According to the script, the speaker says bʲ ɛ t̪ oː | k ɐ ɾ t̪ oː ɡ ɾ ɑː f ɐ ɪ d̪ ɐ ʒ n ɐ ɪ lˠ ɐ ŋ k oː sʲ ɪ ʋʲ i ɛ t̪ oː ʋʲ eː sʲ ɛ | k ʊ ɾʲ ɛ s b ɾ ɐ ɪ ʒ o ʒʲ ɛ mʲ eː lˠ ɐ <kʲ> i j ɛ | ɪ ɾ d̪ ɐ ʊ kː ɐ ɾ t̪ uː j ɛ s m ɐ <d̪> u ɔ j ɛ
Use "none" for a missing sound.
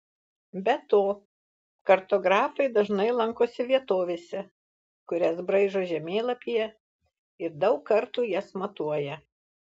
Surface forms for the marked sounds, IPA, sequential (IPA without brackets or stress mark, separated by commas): pʲ, t̪